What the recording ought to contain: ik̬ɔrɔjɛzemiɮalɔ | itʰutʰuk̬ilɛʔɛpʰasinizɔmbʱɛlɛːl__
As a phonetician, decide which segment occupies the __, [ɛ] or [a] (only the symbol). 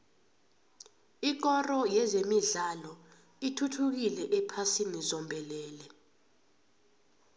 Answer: ɛ